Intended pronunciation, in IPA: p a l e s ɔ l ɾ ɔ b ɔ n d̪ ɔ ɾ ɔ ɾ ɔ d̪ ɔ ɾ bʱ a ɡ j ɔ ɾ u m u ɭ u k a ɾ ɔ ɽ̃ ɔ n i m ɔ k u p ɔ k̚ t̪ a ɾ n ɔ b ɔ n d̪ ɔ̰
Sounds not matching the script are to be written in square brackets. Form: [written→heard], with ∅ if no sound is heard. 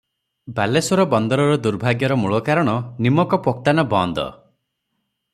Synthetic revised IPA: [p→b] a l e s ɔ [l→∅] ɾ ɔ b ɔ n d̪ ɔ ɾ ɔ ɾ ɔ d̪ [ɔ→u] ɾ bʱ a ɡ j ɔ ɾ [u→ɔ] m u ɭ [u→ɔ] k a ɾ ɔ ɽ̃ ɔ n i m ɔ k [u→ɔ] p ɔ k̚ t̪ a [ɾ→∅] n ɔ b ɔ n d̪ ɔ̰